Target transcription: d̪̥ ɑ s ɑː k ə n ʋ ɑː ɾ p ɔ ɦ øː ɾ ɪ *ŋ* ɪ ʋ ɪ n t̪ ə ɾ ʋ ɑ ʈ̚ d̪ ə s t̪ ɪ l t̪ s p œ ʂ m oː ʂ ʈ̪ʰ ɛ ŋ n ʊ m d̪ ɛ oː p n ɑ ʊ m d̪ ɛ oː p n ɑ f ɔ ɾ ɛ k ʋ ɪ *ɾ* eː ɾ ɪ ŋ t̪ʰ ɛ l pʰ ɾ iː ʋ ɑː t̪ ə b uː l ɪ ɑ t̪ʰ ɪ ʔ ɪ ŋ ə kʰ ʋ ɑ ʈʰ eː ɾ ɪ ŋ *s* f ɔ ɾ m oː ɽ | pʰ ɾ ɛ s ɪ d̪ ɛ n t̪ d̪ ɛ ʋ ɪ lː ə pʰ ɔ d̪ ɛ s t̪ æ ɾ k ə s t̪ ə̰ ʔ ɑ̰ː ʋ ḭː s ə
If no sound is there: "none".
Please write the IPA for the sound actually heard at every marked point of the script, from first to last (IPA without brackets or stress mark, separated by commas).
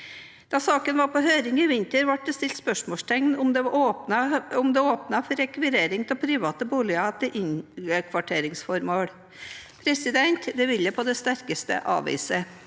ŋ, ɾ, s